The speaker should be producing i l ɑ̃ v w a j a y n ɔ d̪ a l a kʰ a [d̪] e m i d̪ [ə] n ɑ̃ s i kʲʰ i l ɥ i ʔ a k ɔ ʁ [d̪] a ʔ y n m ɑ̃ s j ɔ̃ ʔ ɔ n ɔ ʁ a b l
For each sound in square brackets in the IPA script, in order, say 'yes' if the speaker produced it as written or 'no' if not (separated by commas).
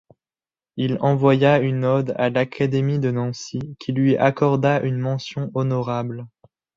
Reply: yes, yes, yes